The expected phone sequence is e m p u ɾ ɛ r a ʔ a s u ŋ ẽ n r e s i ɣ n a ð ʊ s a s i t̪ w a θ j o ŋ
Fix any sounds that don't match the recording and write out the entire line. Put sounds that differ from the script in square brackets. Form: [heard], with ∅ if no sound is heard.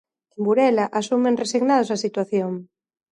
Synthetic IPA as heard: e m [b] u ɾ ɛ [l] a ʔ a s u [m] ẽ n r e s i ɣ n a ð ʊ s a s i t̪ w a θ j o ŋ